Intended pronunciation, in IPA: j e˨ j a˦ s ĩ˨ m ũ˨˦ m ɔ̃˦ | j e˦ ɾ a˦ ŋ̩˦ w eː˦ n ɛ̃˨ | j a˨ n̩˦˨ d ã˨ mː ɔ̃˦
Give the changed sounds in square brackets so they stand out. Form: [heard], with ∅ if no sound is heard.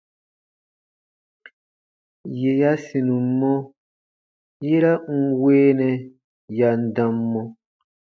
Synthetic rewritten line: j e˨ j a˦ s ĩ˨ [n] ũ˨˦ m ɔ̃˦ | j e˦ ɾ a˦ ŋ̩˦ w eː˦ n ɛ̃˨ | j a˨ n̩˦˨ d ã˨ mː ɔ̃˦